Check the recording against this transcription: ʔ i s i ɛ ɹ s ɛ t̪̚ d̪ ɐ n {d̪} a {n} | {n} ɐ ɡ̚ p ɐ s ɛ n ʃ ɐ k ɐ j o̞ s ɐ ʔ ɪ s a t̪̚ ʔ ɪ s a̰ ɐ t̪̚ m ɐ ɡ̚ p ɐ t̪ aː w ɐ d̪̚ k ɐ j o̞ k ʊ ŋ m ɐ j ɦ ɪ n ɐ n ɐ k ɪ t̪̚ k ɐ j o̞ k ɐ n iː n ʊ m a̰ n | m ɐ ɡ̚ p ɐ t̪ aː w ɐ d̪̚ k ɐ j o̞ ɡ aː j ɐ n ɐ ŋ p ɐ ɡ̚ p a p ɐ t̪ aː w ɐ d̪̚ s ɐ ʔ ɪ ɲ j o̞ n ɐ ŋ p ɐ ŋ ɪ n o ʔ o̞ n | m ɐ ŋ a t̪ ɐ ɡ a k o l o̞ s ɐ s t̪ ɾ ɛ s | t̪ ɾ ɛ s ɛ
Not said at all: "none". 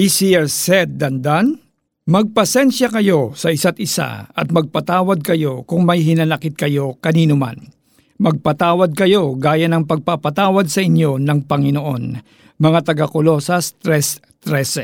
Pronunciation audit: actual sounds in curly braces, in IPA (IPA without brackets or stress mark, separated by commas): d̪, n, m